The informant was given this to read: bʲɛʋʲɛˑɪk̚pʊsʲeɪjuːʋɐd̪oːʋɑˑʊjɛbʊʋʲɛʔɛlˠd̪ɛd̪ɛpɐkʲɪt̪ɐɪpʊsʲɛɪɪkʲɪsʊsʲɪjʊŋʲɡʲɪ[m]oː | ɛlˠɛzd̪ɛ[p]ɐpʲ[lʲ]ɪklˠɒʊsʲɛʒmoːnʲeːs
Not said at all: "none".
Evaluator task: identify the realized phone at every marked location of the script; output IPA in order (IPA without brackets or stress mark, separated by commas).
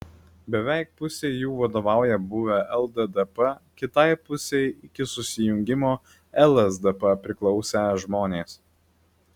m, p, ɾʲ